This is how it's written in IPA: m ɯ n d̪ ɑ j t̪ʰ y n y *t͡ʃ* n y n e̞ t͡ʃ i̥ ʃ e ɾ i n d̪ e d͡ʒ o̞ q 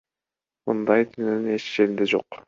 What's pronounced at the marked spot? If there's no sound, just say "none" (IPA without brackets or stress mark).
none